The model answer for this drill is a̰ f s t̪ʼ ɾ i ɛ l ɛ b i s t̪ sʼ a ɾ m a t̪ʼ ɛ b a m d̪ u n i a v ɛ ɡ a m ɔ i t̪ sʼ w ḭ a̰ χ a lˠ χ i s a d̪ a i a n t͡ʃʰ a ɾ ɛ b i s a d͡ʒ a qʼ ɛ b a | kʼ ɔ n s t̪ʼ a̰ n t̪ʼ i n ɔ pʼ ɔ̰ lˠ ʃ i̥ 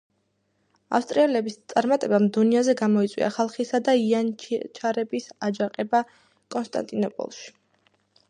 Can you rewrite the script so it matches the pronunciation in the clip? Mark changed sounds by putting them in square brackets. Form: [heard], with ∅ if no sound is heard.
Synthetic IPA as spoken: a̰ f s t̪ʼ ɾ i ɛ l ɛ b i s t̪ sʼ a ɾ m a t̪ʼ ɛ b a m d̪ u n i a [z] ɛ ɡ a m ɔ i t̪ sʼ w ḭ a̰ χ a lˠ χ i s a d̪ a i a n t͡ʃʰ a ɾ ɛ b i s a d͡ʒ a qʼ ɛ b a | kʼ ɔ n s t̪ʼ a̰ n t̪ʼ i n ɔ pʼ ɔ̰ lˠ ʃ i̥